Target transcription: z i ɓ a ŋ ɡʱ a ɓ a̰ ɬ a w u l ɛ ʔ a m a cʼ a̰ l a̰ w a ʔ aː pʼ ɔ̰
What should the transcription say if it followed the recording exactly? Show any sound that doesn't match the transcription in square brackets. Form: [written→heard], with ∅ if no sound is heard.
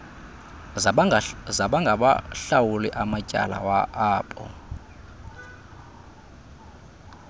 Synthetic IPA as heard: z [i→a] ɓ a ŋ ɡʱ a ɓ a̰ ɬ a w u l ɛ ʔ a m a cʼ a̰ l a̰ w a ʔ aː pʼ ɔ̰